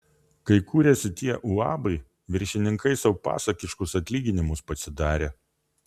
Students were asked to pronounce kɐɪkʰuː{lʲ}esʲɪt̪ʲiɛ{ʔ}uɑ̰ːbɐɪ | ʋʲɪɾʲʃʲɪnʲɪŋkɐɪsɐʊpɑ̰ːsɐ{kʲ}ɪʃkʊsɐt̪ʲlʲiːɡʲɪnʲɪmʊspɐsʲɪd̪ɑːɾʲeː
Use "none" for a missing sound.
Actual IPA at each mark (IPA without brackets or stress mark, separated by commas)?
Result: ɾʲ, ʔ, kʲ